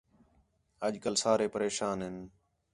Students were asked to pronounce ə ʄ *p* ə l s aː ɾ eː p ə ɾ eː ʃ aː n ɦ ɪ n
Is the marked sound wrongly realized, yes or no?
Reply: yes